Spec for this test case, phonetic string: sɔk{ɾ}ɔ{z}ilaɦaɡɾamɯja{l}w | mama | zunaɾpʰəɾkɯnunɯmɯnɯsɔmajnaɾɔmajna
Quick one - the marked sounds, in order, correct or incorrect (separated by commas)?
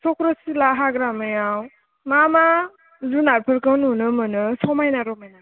correct, incorrect, incorrect